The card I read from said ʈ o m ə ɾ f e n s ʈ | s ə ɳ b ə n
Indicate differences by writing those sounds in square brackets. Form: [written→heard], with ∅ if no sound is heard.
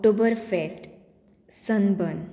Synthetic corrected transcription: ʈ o [m→b] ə ɾ f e [n→∅] s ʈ | s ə [ɳ→n] b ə n